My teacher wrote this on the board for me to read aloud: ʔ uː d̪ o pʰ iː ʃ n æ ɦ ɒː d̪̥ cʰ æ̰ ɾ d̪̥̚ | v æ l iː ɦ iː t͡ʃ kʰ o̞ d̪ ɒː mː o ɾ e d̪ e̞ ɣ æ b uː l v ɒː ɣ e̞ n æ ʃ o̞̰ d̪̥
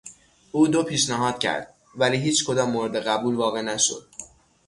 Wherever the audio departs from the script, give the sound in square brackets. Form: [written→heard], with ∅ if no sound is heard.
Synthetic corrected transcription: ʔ uː d̪ o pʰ iː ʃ n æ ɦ ɒː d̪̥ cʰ æ̰ ɾ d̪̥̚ | v æ l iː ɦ iː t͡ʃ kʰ o̞ d̪ ɒː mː o ɾ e d̪ e̞ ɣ æ b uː l v ɒː ɣ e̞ n æ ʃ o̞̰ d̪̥